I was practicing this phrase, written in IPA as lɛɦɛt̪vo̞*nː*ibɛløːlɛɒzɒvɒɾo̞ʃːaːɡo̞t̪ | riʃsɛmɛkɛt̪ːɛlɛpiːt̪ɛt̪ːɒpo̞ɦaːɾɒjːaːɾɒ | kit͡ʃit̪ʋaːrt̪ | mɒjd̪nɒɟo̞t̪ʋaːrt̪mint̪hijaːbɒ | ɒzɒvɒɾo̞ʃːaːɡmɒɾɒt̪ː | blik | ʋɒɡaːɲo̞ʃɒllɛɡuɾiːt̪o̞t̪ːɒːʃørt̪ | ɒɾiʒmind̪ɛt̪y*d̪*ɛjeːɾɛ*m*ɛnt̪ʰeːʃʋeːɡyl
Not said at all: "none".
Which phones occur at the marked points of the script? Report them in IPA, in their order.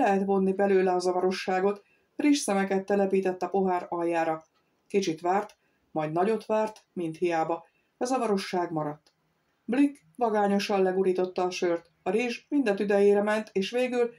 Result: nː, d̪, m

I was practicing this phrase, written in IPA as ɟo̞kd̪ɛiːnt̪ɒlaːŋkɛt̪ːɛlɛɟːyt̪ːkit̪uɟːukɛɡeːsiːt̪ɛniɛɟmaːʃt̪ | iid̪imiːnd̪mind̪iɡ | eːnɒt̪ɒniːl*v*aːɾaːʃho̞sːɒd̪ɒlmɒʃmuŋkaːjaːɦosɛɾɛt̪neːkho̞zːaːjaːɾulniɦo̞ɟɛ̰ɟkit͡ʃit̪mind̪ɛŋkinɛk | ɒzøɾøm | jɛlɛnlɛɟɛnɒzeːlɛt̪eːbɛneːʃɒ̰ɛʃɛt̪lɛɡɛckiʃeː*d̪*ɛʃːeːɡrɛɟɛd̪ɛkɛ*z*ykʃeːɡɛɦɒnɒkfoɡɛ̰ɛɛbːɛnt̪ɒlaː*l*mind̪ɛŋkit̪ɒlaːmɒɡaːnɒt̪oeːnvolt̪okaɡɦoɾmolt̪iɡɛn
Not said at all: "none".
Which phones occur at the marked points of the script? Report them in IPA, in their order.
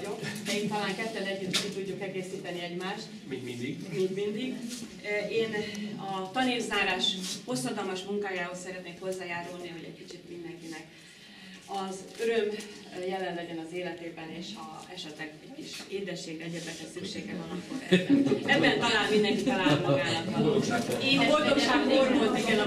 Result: z, d̪, s, l

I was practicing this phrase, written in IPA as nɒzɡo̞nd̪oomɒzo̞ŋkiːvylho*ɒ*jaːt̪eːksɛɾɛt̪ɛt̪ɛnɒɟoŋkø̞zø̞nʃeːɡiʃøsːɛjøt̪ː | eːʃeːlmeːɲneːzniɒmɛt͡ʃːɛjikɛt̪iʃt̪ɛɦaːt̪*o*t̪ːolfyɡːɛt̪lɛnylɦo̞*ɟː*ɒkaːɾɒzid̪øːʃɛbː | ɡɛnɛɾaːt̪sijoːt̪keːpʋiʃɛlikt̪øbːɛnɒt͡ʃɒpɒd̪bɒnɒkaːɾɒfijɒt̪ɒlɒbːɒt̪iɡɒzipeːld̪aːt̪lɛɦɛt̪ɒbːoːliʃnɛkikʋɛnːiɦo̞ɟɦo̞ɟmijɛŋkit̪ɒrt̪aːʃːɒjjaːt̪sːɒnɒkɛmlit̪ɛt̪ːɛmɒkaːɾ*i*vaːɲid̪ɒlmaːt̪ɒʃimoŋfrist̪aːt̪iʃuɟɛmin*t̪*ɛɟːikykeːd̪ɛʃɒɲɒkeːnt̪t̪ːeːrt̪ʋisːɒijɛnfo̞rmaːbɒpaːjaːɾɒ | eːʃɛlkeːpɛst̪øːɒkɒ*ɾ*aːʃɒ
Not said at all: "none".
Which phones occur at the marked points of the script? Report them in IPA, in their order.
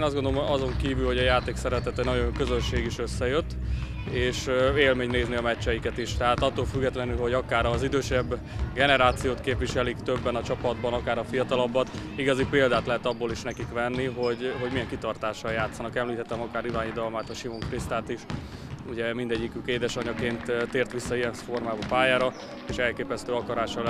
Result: ɒ, ɒ, ɟ, i, d̪, ɾ

